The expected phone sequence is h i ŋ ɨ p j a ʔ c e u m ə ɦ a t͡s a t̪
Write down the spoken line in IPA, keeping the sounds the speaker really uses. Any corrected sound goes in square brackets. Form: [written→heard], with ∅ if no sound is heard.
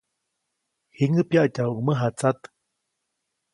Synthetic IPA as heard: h i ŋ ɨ p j a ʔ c [e→a] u m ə ɦ a t͡s a t̪